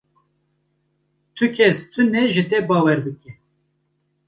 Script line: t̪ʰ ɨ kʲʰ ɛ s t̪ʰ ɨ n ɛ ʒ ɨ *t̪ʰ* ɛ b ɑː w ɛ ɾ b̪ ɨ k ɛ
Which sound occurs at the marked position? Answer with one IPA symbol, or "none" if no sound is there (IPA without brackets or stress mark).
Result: t̪